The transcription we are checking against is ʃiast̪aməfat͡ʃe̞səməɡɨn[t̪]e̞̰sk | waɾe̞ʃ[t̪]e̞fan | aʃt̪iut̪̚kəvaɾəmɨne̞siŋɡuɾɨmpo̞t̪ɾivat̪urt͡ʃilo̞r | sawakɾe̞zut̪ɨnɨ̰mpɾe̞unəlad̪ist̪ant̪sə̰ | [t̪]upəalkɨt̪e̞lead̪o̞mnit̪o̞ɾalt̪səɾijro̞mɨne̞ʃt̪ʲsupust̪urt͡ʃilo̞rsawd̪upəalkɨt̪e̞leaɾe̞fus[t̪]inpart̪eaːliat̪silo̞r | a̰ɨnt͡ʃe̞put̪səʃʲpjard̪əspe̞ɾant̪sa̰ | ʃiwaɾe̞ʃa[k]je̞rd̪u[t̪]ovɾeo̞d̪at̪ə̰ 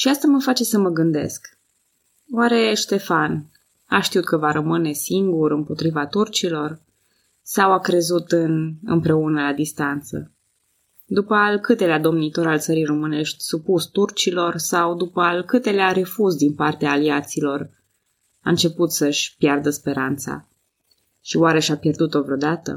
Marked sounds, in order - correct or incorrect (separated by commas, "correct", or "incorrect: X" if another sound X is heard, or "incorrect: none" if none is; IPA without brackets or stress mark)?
incorrect: d̪, correct, incorrect: d̪, incorrect: d̪, incorrect: p, correct